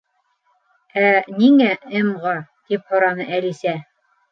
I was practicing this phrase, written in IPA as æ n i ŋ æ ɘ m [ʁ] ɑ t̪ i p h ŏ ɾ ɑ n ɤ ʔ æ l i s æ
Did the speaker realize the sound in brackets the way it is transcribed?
yes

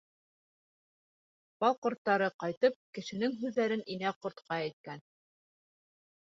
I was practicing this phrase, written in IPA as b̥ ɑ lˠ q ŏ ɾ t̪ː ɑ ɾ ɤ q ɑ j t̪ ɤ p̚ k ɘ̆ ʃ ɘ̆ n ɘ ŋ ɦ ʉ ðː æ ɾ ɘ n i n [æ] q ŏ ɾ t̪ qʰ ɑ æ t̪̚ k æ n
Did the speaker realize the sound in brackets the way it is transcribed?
yes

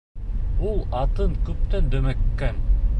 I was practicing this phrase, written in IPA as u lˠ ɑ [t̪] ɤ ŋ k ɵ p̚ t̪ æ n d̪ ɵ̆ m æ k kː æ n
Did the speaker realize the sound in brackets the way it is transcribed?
yes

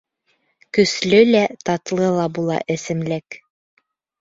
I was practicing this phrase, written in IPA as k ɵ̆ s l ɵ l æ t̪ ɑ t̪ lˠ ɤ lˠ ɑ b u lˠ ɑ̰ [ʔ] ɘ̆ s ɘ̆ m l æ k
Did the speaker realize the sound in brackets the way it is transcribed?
yes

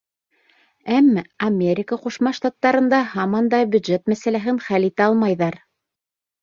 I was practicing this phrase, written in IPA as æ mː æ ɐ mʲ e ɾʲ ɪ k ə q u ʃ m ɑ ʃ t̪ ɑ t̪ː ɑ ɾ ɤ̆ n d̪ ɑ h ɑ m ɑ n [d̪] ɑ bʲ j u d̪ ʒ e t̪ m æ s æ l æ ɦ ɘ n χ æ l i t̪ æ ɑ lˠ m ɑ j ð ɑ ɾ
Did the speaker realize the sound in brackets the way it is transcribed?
yes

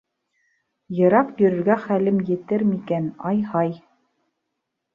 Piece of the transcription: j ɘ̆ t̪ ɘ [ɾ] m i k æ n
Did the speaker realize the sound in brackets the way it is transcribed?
yes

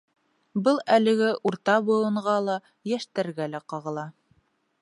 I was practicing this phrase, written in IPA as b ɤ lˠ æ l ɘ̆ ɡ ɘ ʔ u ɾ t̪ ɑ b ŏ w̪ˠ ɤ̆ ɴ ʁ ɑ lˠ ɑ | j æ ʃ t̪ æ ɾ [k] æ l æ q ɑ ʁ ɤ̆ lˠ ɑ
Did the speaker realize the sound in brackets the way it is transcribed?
no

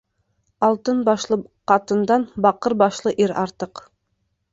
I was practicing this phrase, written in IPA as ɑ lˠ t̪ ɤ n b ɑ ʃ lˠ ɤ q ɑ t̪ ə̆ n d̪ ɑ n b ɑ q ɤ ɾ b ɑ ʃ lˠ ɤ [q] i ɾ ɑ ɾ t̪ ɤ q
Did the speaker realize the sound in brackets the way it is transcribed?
no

